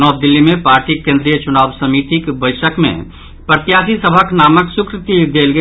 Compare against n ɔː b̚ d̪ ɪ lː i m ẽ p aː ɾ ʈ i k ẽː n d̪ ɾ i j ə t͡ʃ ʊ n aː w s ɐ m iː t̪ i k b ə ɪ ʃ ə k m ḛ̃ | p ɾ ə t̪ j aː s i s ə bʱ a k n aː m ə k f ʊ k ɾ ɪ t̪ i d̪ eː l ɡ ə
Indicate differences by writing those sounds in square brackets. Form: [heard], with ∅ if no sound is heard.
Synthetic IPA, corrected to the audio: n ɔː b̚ d̪ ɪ lː i m ẽ p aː ɾ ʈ i k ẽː n d̪ ɾ i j ə t͡ʃ ʊ n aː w s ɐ m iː t̪ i k b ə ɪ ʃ ə k m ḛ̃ | p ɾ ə t̪ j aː s i s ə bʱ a k n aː m ə k [s] ʊ k ɾ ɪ t̪ i d̪ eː l ɡ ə